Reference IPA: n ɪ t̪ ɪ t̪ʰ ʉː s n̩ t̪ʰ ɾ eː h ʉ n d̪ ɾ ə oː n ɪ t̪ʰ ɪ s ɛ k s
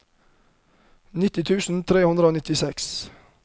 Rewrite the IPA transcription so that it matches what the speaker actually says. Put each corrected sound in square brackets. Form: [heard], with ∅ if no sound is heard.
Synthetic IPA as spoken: n ɪ t̪ ɪ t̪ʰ ʉː s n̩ t̪ʰ ɾ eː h ʉ n d̪ ɾ ə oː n ɪ [t̪] ɪ s ɛ k s